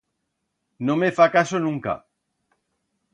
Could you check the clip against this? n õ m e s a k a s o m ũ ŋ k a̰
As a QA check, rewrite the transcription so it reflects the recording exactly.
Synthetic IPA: n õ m e f a k a s o n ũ ŋ k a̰